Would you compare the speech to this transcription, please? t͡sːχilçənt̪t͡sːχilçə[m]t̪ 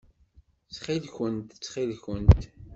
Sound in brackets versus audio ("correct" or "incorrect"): incorrect